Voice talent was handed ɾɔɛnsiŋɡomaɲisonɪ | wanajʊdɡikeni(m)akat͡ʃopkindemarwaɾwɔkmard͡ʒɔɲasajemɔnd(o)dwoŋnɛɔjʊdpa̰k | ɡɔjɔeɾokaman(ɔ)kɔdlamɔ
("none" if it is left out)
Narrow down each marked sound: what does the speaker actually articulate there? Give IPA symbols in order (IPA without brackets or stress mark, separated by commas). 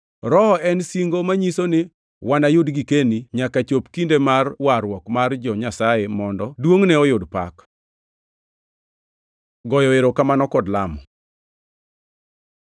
ɲ, ɔ, ɔ